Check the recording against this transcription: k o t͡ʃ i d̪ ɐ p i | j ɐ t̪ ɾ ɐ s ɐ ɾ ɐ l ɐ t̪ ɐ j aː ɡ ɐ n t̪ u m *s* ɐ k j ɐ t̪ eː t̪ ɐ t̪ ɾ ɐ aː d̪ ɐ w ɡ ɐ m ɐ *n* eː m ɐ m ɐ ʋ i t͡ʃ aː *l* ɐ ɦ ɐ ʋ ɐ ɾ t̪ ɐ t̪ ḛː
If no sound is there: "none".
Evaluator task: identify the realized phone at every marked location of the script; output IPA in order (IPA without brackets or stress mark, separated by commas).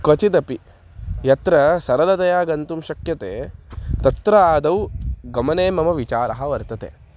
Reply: ʃ, n, ɾ